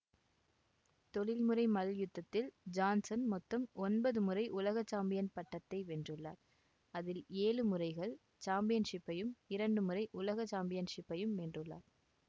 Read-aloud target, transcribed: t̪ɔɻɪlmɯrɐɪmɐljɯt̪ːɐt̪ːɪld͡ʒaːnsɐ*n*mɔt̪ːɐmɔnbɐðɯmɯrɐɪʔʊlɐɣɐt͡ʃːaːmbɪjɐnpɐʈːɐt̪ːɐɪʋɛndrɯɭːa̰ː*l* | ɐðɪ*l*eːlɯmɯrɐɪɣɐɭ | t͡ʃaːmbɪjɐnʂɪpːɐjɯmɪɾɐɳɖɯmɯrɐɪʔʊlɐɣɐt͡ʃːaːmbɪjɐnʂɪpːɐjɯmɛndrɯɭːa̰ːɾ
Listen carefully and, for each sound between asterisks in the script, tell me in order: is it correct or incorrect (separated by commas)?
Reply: correct, incorrect, correct